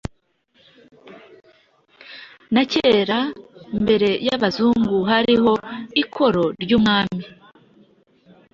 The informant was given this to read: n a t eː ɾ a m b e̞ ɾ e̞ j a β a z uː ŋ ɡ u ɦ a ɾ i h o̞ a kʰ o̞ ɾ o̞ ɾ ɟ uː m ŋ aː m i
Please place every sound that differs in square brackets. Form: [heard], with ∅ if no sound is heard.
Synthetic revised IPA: n a [c] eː ɾ a m b e̞ ɾ e̞ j a β a z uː ŋ ɡ u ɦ a ɾ i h o̞ [i] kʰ o̞ ɾ o̞ ɾ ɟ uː m ŋ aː m i